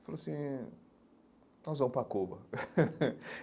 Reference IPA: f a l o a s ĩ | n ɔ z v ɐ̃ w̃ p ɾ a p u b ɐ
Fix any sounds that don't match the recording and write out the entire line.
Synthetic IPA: f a l o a s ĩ | n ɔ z v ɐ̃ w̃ p ɾ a k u b ɐ